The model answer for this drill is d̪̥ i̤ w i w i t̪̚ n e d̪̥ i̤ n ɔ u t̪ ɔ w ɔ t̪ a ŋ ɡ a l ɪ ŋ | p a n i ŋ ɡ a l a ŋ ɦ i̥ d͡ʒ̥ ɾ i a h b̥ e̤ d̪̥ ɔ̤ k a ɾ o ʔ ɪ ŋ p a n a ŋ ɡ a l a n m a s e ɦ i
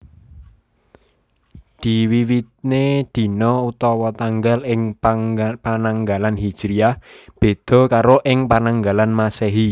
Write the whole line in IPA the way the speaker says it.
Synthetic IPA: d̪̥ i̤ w i w i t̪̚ n e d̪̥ i̤ n ɔ u t̪ ɔ w ɔ t̪ a ŋ ɡ a l ɪ ŋ | p a n a ŋ ɡ a l a n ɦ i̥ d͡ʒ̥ ɾ i a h b̥ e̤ d̪̥ ɔ̤ k a ɾ o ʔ ɪ ŋ p a n a ŋ ɡ a l a n m a s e ɦ i